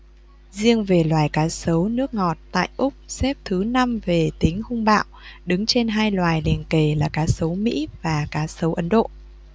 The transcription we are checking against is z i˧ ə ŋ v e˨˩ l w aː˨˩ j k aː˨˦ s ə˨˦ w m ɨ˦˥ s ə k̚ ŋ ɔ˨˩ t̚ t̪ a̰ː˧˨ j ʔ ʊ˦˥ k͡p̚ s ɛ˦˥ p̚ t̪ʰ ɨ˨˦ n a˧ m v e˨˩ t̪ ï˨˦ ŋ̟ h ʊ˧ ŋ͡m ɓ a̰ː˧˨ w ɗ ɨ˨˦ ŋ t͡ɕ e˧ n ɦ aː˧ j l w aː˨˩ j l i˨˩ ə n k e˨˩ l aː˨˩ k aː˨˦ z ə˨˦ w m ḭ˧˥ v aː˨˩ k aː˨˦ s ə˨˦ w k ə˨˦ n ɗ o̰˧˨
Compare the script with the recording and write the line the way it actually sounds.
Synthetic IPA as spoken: z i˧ ə ŋ v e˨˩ l w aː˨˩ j k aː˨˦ s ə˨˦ w n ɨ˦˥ ə k̚ ŋ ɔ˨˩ t̚ t̪ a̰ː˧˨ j ʔ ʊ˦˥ k͡p̚ s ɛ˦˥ p̚ t̪ʰ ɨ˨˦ n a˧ m v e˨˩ t̪ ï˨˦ ŋ̟ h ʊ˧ ŋ͡m ɓ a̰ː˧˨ w ɗ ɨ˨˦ ŋ t͡ɕ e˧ n ɦ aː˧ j l w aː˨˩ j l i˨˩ ə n k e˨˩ l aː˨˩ k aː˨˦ s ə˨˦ w m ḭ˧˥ v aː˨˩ k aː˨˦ s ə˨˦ w ʔ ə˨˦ n ɗ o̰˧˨